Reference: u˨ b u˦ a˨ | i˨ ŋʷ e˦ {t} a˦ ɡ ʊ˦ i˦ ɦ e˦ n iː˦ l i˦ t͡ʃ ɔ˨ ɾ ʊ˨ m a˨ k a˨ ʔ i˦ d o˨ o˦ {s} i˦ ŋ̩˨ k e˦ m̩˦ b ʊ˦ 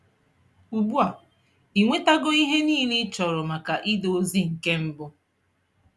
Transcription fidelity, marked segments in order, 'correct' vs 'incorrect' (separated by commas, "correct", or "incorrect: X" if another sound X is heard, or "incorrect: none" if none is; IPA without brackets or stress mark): correct, incorrect: z